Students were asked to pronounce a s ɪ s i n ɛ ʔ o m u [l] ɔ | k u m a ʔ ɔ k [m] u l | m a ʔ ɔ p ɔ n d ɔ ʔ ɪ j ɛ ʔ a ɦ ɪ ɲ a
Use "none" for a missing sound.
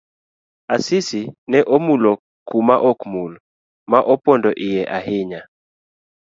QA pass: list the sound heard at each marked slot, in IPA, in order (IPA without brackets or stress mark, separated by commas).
l, m